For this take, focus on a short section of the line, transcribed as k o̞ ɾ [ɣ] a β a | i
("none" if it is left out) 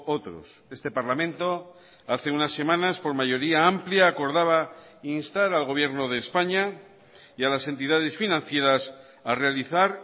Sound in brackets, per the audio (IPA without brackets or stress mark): ð